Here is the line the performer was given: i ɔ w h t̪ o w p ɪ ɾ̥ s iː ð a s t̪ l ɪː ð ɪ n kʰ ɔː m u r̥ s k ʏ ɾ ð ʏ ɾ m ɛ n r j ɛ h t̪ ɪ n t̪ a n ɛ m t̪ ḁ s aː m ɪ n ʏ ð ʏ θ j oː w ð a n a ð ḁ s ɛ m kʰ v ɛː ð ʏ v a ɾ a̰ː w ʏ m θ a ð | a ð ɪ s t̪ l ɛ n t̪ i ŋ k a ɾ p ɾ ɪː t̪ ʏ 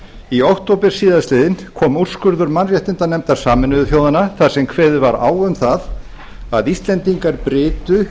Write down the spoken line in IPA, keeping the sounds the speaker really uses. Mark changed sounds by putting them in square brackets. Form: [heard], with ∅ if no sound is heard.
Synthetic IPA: i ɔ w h t̪ o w p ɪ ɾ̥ s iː ð a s t̪ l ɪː ð ɪ n kʰ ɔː m u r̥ s k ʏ ɾ ð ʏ ɾ m [a] n r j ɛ h t̪ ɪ n t̪ a n ɛ m t̪ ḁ s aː m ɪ n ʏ ð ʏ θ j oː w ð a n a [θ] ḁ s ɛ m kʰ v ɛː ð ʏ v a ɾ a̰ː w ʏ m θ a ð | a ð [i] s t̪ l ɛ n t̪ i ŋ k a ɾ p ɾ ɪː t̪ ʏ